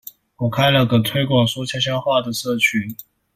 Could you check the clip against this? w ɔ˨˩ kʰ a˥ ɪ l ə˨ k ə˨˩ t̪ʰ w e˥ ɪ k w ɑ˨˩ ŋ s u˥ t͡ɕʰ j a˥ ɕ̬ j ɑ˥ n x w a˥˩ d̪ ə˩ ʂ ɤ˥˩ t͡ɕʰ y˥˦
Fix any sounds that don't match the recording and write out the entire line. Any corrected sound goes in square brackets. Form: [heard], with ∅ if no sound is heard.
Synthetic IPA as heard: w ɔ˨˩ kʰ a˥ ɪ l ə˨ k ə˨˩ t̪ʰ w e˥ ɪ k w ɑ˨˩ ŋ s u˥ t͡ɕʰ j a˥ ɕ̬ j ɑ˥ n x w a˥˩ d̪ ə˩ ʂ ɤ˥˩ t͡ɕʰ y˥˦